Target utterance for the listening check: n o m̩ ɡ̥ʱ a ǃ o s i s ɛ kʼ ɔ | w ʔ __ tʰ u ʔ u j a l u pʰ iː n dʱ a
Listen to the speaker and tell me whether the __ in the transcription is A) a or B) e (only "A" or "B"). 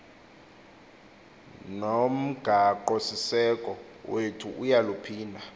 B